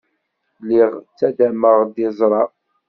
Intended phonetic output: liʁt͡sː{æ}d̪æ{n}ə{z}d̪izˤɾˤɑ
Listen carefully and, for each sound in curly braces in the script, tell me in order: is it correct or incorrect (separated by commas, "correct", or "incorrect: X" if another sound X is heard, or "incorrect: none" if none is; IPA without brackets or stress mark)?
correct, incorrect: m, incorrect: ʁ